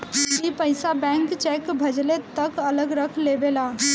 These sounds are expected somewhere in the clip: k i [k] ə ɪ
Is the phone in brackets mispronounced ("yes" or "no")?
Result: yes